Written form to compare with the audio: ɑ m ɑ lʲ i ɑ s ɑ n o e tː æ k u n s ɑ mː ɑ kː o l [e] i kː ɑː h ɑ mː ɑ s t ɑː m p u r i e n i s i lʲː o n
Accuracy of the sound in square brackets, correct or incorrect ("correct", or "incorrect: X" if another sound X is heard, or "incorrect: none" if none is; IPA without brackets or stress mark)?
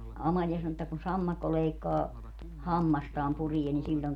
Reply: correct